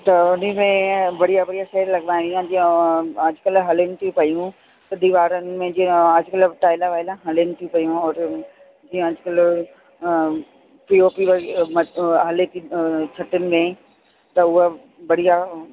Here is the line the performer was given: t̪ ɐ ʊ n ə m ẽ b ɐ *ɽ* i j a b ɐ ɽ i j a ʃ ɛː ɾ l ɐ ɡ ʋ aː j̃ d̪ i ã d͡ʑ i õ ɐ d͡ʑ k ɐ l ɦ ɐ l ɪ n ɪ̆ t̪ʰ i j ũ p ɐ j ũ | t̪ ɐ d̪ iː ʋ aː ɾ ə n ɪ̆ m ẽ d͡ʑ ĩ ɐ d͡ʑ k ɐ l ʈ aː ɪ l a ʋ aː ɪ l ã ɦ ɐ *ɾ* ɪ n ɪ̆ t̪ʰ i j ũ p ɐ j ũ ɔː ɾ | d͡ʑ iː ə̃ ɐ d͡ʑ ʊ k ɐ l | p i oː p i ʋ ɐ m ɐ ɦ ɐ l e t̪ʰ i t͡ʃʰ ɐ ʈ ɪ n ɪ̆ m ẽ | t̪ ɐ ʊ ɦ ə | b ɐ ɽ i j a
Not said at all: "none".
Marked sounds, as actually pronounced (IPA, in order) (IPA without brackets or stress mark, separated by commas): ɽ, l